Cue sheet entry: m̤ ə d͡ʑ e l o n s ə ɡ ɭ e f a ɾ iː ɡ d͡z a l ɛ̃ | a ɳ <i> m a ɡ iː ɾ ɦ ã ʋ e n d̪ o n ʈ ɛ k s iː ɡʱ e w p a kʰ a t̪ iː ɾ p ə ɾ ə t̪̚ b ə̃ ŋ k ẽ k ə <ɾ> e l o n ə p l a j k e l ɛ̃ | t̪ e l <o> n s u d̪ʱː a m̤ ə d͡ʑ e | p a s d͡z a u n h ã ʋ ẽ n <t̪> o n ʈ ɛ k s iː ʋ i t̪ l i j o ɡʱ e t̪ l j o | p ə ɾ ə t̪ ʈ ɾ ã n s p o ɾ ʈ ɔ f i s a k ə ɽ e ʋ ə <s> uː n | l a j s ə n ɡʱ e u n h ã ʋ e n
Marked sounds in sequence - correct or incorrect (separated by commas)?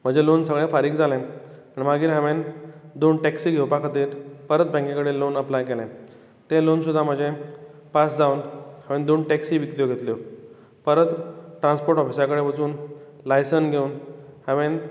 correct, incorrect, correct, incorrect, incorrect